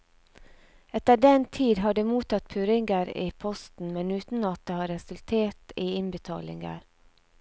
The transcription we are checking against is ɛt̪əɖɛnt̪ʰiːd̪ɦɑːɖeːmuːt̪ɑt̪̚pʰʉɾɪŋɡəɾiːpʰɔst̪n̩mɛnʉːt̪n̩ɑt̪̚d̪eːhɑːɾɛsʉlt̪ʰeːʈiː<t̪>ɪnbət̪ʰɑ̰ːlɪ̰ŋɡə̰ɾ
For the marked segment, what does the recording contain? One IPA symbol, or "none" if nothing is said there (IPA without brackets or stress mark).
none